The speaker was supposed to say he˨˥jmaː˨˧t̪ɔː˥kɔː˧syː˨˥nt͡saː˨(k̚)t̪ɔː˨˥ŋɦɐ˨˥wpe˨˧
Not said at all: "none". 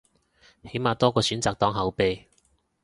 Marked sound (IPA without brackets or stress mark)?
k̚